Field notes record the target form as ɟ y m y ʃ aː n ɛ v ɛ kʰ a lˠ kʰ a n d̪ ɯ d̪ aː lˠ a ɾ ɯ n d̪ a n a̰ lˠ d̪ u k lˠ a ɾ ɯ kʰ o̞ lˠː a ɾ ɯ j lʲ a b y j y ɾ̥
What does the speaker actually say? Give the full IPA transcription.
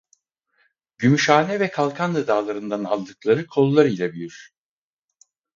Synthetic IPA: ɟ y m y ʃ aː n ɛ v ɛ kʰ a lˠ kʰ a n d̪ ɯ d̪ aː lˠ a ɾ ɯ n d̪ a n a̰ lˠ d̪ ɯ k lˠ a ɾ ɯ kʰ o̞ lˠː a ɾ ɯ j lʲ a b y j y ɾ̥